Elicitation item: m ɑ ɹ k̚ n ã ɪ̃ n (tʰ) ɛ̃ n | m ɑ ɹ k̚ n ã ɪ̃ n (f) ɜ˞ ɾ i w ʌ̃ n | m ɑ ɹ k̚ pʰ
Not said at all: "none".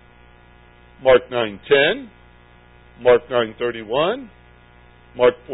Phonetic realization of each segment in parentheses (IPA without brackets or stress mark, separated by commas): tʰ, θ